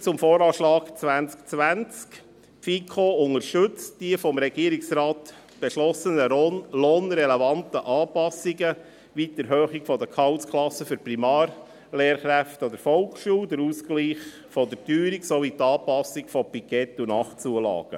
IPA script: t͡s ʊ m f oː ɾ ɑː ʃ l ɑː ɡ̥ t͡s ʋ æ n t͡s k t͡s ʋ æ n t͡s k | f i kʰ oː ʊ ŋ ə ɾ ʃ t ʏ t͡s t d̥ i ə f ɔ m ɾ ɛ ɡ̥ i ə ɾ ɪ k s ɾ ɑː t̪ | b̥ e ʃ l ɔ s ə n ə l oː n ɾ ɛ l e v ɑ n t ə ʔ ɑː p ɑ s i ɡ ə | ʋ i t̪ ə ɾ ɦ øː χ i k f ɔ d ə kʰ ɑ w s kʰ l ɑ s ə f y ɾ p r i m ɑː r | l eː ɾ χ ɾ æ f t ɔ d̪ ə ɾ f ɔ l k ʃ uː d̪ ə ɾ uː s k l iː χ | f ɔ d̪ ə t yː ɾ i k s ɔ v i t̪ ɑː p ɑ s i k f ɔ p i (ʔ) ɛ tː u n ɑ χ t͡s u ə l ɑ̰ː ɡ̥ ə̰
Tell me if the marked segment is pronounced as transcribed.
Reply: no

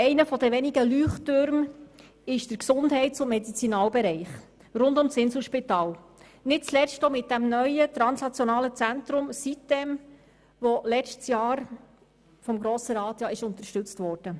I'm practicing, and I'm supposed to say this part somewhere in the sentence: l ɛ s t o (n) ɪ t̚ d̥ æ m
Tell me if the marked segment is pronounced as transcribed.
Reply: no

